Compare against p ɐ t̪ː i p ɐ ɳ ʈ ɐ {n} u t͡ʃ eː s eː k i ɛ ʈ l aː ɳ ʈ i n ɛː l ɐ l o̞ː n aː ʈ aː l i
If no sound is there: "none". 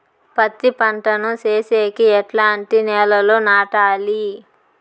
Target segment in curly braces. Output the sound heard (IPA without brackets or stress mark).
n